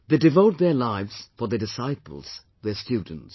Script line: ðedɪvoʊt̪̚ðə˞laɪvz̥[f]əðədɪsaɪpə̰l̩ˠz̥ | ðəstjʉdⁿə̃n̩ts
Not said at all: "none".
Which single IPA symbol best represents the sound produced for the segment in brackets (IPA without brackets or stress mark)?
f